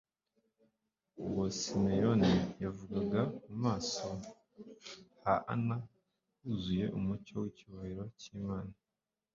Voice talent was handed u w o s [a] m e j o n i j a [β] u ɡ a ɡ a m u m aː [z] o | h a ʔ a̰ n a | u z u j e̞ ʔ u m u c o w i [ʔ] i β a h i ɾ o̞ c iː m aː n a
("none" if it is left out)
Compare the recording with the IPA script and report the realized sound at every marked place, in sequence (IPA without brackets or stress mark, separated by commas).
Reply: i, v, s, c